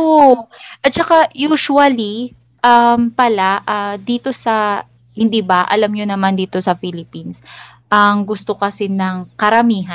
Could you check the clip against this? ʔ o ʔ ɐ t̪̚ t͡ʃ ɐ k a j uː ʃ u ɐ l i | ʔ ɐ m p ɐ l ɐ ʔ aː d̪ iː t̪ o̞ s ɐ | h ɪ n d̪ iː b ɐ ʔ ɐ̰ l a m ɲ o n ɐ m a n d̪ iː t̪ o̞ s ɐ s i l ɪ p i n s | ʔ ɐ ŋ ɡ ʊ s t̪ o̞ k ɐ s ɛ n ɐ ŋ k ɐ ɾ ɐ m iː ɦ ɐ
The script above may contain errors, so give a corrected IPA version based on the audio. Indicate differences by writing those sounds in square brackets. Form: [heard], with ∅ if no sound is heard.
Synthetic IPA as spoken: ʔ o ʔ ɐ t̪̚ t͡ʃ ɐ k a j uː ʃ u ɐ l i | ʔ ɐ m p ɐ l [a] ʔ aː d̪ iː t̪ o̞ s ɐ | h ɪ n d̪ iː b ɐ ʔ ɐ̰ l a m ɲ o n ɐ m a n d̪ iː t̪ o̞ s ɐ [f] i l ɪ p i n s | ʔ ɐ ŋ ɡ ʊ s t̪ o̞ k ɐ s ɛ n ɐ ŋ k ɐ ɾ ɐ m iː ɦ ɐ